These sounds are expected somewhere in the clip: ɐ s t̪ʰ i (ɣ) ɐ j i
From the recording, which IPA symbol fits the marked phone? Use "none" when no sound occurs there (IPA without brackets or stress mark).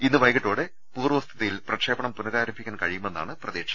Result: ð